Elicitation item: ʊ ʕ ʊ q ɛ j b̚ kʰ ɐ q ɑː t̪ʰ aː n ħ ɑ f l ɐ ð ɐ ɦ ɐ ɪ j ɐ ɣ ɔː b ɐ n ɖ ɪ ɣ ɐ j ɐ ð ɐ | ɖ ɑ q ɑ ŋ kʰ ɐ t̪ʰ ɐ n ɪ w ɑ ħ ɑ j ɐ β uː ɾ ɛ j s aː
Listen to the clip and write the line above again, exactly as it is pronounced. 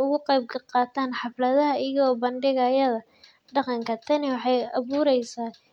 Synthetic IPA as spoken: ʊ ɣ ʊ q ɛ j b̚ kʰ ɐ q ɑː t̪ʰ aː n ħ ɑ f l ɐ ð ɐ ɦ ɐ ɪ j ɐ ɣ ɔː b ɐ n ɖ ɪ ɣ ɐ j ɐ ð ɐ | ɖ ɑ q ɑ ŋ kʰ ɐ t̪ʰ ɐ n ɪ w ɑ ħ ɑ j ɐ β uː ɾ ɛ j s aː